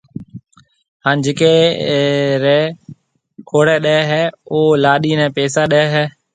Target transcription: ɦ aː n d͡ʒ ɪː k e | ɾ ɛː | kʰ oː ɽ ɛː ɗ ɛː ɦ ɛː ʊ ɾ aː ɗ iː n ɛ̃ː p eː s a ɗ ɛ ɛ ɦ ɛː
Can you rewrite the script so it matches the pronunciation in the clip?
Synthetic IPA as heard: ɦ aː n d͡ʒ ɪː k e | ɾ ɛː | kʰ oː ɽ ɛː ɗ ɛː ɦ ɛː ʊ l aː ɗ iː n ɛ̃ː p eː s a ɗ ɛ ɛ ɦ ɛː